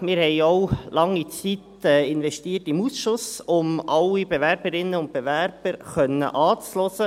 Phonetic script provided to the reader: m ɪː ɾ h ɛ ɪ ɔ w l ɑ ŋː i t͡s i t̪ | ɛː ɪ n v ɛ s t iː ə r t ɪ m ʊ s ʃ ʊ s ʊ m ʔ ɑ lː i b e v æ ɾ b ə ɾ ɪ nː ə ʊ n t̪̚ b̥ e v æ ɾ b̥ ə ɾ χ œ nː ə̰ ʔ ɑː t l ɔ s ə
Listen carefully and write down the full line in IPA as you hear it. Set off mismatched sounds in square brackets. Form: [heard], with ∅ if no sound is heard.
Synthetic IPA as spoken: m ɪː ɾ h ɛ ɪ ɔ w l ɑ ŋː i t͡s i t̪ | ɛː ɪ n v ɛ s t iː ə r t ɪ m [u] s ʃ ʊ s ʊ m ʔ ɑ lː i b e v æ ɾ b ə ɾ ɪ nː ə ʊ n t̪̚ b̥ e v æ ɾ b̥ ə ɾ χ œ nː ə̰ ʔ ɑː [t͡s] l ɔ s ə